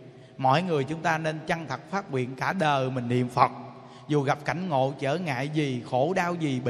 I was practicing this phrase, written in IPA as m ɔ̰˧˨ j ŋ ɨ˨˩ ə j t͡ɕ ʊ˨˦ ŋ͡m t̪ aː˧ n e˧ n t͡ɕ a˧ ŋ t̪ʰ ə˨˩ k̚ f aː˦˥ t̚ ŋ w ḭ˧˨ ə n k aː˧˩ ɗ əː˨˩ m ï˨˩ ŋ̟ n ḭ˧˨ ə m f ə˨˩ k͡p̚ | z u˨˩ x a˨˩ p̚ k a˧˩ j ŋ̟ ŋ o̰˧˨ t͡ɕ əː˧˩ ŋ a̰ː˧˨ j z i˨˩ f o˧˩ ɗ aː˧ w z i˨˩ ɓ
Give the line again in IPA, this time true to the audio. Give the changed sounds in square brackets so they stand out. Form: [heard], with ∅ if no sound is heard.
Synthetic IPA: m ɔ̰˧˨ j ŋ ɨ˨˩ ə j t͡ɕ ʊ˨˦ ŋ͡m t̪ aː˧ n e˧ n t͡ɕ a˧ ŋ t̪ʰ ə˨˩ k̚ f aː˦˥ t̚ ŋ w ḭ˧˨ ə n k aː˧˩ ɗ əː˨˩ m ï˨˩ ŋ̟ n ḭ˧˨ ə m f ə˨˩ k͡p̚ | z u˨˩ [ɣ] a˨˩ p̚ k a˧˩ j ŋ̟ ŋ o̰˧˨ t͡ɕ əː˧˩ ŋ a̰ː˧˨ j z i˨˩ [x] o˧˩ ɗ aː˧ w z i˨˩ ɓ